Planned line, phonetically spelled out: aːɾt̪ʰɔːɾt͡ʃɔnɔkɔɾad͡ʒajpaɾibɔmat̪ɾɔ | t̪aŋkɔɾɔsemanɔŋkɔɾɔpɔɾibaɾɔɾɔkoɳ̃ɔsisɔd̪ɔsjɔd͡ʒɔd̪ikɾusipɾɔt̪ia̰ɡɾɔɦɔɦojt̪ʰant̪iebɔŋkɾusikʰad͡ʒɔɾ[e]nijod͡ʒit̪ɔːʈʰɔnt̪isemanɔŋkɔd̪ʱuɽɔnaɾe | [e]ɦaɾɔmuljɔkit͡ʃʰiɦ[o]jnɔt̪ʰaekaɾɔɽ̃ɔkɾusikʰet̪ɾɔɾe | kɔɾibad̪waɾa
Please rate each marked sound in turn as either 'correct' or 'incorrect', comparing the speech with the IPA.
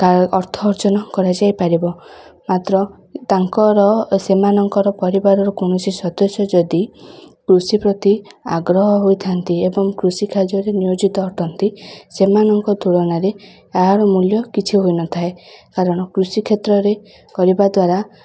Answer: correct, incorrect, correct

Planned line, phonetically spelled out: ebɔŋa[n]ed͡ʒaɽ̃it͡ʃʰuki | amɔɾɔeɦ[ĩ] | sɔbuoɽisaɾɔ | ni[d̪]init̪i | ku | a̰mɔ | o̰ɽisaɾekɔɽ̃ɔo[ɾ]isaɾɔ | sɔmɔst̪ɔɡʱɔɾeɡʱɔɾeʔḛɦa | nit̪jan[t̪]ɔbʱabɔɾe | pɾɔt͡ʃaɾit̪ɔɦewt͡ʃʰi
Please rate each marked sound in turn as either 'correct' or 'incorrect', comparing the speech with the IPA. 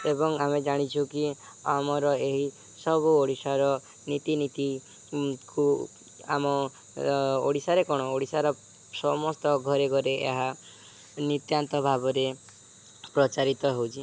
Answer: incorrect, incorrect, incorrect, incorrect, correct

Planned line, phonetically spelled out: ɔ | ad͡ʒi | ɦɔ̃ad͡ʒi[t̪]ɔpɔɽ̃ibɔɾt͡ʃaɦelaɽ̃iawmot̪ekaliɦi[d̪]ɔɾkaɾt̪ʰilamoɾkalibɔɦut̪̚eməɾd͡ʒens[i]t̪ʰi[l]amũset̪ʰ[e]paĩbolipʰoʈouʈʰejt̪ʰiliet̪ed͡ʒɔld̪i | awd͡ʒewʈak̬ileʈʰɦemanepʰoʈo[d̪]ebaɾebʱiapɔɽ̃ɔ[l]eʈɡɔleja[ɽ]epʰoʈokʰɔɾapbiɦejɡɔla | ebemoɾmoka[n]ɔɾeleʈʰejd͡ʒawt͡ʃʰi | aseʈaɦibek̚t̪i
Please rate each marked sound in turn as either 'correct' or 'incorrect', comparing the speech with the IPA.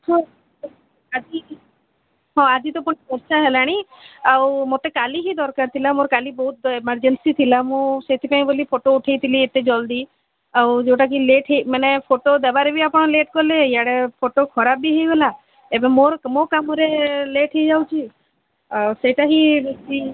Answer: correct, correct, correct, correct, incorrect, correct, correct, correct, incorrect

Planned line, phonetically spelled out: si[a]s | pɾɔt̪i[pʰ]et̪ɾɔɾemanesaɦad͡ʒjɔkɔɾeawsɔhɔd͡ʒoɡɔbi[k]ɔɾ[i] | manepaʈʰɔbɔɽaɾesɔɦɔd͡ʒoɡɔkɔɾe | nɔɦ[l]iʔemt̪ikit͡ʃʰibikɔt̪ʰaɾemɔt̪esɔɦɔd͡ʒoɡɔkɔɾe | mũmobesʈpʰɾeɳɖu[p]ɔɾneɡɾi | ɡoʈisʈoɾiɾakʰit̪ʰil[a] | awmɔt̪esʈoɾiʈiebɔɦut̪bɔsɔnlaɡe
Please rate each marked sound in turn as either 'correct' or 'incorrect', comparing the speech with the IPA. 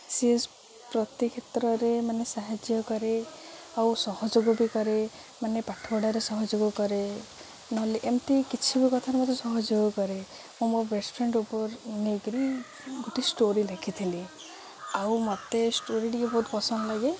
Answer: incorrect, incorrect, correct, incorrect, correct, correct, incorrect

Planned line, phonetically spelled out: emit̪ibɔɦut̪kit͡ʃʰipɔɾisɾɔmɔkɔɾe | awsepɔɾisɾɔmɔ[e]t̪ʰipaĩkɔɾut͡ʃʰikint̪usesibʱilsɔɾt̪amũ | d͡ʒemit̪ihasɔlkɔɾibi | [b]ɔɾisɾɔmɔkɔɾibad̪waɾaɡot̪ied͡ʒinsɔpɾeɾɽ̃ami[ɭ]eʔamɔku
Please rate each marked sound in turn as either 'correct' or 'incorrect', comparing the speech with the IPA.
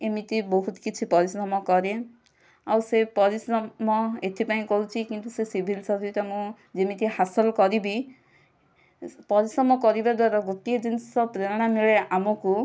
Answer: correct, incorrect, correct

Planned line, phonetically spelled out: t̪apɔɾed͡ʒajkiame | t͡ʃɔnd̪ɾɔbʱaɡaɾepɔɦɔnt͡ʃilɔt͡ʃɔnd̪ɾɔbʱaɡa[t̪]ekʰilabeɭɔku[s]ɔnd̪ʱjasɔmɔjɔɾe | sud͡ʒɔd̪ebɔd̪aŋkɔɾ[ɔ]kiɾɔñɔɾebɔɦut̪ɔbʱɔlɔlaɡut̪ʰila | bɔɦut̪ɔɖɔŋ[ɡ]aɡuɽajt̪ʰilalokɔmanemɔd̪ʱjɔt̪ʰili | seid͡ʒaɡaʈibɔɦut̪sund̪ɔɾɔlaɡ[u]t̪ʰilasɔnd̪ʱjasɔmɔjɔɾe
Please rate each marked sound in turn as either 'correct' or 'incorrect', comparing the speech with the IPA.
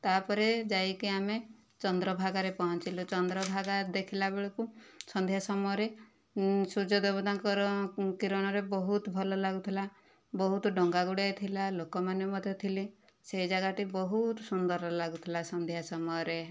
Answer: incorrect, correct, correct, correct, correct

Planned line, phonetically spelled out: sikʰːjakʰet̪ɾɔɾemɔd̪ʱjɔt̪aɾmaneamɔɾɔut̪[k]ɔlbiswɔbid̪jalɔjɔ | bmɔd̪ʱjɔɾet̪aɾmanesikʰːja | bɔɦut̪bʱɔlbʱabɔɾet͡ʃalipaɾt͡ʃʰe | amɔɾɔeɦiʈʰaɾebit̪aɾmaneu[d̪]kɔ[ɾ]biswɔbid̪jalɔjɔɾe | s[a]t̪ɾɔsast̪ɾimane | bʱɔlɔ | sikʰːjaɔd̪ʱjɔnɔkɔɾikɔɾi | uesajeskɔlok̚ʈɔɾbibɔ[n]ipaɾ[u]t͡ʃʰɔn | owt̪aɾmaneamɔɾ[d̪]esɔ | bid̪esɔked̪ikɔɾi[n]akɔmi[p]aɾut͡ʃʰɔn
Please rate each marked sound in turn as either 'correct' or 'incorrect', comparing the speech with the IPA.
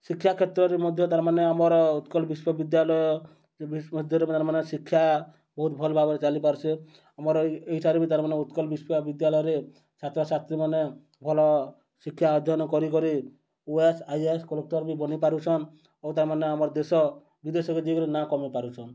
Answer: correct, incorrect, incorrect, correct, correct, correct, correct, correct, correct

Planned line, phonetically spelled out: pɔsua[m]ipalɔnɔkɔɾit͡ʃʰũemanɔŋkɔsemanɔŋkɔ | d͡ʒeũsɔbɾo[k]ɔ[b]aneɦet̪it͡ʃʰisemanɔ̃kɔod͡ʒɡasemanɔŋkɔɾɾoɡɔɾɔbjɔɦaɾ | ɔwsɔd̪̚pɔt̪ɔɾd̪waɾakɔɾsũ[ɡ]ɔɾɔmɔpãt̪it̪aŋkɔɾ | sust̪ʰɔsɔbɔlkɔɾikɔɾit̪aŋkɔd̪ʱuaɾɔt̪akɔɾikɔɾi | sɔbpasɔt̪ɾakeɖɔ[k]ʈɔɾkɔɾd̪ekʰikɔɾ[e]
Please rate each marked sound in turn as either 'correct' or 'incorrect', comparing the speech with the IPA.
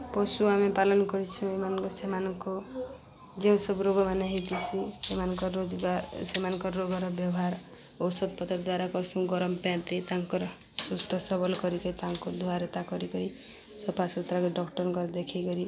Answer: correct, incorrect, incorrect, correct, correct, incorrect

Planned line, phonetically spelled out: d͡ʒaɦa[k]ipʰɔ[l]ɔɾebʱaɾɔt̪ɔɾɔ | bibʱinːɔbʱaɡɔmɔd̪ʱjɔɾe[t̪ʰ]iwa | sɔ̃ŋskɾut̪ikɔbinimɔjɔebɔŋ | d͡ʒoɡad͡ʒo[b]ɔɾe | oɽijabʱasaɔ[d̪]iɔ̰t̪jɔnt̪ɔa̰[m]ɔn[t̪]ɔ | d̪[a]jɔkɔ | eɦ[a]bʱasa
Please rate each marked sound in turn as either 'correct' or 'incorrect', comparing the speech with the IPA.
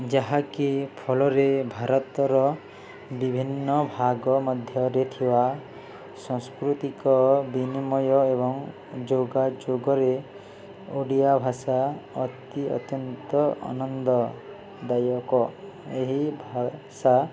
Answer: correct, correct, correct, incorrect, incorrect, incorrect, incorrect, correct, incorrect

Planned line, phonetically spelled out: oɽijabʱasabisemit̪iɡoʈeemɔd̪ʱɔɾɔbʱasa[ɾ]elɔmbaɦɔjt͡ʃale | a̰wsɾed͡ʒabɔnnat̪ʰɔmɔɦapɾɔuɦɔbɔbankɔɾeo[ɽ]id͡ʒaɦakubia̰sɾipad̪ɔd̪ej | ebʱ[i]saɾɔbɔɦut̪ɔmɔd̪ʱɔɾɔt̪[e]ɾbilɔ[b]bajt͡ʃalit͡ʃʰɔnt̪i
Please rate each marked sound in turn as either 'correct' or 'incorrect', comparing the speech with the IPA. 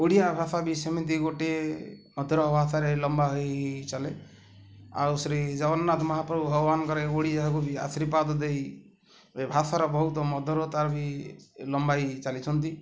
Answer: correct, correct, incorrect, incorrect, incorrect

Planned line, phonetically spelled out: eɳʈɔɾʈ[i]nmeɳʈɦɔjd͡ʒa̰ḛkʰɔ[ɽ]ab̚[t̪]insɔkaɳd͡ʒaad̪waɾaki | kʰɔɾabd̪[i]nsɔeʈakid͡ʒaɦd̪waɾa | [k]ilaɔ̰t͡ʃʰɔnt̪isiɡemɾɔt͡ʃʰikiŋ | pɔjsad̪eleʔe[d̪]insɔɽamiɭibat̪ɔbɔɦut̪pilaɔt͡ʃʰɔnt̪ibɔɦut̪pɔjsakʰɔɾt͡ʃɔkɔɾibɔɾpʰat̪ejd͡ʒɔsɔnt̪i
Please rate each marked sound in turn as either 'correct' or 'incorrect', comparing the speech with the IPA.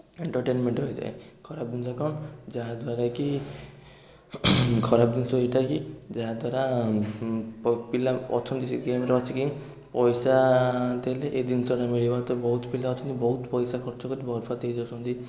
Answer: incorrect, incorrect, incorrect, correct, incorrect, correct

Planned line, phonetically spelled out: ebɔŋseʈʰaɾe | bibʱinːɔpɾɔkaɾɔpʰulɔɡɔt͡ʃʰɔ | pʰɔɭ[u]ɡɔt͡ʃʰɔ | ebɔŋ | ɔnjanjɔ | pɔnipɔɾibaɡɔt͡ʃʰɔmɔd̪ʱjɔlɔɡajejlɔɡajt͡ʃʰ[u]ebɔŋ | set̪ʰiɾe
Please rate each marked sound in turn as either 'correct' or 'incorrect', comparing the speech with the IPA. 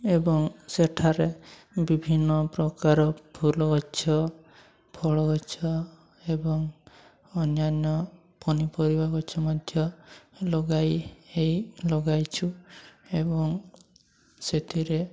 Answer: incorrect, correct

